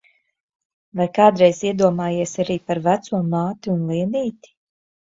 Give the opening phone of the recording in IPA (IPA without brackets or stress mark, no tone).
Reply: v